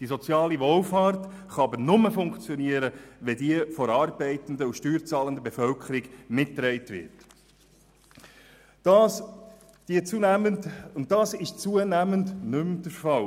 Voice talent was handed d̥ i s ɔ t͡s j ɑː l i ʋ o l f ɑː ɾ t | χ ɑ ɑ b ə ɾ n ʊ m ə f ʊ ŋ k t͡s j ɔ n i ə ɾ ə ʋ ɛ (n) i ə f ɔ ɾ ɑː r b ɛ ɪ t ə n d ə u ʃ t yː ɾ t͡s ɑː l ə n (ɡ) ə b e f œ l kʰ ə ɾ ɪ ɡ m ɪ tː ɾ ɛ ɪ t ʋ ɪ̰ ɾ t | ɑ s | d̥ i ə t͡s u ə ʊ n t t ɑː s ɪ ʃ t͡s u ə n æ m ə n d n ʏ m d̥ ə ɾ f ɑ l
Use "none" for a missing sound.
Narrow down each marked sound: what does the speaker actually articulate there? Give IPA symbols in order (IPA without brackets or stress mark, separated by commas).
d, d